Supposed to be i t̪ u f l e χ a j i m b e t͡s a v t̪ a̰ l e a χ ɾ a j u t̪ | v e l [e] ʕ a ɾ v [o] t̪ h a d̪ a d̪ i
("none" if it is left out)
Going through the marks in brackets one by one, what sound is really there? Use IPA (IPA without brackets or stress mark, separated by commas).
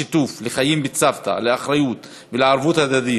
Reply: e, u